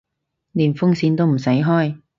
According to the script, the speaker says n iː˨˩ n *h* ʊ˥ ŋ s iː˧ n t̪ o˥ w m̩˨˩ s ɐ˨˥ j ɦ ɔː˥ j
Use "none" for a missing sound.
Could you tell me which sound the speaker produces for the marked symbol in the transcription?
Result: f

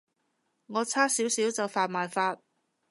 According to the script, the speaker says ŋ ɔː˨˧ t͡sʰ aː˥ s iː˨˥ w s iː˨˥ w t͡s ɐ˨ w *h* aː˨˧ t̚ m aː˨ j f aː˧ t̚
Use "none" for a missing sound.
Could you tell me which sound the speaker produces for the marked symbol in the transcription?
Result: f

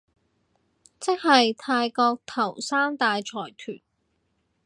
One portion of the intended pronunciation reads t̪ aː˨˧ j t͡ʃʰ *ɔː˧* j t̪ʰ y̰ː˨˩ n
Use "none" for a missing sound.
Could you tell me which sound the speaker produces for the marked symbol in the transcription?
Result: ɔː˨˩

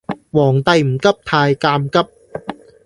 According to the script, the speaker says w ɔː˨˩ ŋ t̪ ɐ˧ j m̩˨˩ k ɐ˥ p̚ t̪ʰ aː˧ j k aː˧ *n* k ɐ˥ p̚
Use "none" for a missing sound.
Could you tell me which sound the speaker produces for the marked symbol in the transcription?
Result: m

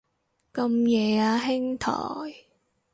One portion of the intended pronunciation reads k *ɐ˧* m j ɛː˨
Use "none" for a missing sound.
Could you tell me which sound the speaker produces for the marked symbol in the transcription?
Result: ɐ˧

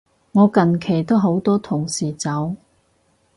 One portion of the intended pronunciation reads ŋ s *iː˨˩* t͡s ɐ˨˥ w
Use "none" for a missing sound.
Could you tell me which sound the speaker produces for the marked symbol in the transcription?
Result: iː˨˩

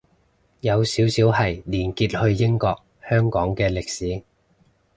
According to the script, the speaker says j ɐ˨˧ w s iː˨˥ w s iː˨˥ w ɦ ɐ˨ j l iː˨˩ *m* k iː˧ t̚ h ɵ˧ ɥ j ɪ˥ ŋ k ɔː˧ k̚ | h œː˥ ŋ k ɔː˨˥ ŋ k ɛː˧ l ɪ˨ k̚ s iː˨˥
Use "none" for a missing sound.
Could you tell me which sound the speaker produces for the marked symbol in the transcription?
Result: n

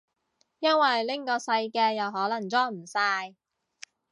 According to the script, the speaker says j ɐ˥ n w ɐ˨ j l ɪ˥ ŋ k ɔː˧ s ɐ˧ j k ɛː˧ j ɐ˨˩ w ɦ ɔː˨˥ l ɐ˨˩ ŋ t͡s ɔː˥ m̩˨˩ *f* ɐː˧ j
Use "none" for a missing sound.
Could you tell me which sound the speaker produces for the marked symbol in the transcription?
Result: s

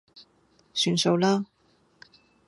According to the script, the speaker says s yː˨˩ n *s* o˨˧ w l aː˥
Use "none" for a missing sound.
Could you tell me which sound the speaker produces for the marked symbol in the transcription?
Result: s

